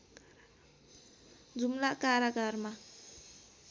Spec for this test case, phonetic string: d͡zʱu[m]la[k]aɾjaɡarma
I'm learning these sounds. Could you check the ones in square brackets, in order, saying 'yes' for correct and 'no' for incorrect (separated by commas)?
yes, yes